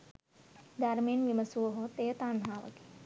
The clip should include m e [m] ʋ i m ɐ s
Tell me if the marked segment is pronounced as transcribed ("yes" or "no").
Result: no